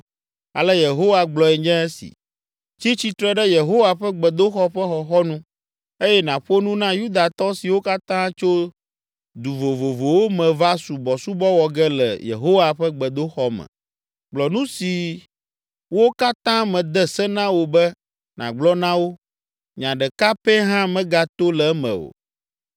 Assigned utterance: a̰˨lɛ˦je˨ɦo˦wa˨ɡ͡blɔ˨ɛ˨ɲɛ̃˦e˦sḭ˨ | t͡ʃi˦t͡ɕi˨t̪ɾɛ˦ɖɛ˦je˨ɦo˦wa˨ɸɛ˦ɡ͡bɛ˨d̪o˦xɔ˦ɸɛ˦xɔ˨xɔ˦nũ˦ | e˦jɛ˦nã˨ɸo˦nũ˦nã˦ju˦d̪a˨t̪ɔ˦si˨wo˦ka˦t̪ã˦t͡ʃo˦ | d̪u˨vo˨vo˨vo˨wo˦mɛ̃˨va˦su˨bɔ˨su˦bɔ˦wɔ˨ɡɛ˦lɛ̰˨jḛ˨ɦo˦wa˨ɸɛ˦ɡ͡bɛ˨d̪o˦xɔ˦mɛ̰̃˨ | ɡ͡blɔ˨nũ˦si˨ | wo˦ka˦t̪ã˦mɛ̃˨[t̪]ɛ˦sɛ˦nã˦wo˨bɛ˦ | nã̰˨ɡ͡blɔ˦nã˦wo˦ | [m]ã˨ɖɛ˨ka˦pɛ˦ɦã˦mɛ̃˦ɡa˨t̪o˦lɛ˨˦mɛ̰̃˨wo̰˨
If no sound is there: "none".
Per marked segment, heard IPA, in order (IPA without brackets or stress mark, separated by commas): d̪, ɲ